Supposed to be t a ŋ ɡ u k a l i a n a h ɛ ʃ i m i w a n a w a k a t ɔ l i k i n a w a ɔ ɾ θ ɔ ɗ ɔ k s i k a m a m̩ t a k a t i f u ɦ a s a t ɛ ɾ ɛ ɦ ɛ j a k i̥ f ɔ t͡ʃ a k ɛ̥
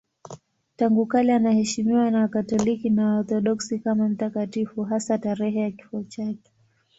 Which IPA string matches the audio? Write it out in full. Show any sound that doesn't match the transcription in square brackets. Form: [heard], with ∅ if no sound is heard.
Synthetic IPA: t a ŋ ɡ u k a l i a n a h ɛ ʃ i m i w a n a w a k a t ɔ l i k i n a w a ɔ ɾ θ ɔ ɗ ɔ k s i k a m a m̩ t a k a t i f u ɦ a s a t [a] ɾ ɛ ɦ ɛ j a k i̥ f ɔ t͡ʃ a k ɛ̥